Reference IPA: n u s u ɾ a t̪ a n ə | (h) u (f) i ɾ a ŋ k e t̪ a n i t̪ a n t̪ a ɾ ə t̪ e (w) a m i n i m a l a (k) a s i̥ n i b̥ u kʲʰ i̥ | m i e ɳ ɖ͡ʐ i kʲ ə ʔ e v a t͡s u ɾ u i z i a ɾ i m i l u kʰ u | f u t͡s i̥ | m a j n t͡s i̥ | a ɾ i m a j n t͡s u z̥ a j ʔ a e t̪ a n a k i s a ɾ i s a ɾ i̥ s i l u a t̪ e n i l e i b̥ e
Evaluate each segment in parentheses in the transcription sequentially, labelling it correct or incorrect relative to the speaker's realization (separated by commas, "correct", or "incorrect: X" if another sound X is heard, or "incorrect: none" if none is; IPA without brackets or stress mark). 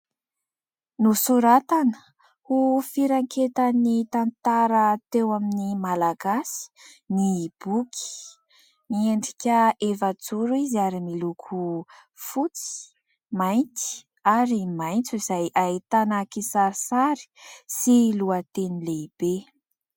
correct, correct, correct, incorrect: ɡ